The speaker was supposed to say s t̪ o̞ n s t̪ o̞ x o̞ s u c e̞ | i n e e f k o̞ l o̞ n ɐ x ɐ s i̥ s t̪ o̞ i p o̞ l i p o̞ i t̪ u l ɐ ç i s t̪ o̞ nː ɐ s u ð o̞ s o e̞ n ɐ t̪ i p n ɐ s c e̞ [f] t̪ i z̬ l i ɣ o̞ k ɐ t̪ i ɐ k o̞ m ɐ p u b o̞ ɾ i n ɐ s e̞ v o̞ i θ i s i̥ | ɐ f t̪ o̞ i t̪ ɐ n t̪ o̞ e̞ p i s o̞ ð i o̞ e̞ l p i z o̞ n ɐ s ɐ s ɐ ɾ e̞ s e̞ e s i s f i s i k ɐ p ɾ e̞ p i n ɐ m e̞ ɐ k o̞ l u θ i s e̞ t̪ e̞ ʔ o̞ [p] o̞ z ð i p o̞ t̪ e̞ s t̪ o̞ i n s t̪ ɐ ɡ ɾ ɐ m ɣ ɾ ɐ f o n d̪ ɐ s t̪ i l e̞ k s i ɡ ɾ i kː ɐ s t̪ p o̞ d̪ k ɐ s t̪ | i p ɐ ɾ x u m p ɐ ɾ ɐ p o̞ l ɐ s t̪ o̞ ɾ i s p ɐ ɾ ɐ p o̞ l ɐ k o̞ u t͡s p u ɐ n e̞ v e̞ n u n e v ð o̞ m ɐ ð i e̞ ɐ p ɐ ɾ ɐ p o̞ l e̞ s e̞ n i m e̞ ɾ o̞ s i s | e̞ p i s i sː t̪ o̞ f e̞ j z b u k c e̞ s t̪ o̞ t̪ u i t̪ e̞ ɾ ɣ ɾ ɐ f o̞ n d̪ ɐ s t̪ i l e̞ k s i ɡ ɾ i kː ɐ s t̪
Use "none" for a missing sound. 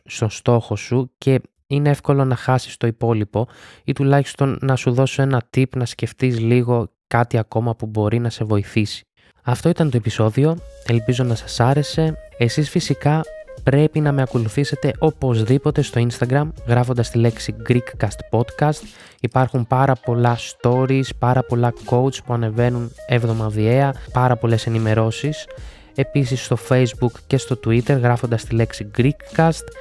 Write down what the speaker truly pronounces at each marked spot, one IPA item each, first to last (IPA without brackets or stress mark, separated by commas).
f, p